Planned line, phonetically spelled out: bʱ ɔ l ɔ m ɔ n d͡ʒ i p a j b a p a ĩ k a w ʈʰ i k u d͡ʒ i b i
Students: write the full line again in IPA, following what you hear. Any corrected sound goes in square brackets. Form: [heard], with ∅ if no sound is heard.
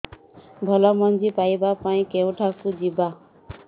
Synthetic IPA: bʱ ɔ l ɔ m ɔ n d͡ʒ i p a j b a p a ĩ k [e] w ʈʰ [a] k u d͡ʒ i b [a]